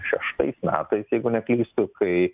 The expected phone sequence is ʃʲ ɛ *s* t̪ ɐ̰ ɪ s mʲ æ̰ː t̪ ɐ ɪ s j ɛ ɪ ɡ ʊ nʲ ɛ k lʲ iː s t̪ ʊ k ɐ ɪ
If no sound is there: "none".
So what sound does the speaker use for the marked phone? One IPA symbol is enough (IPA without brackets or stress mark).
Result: ʃ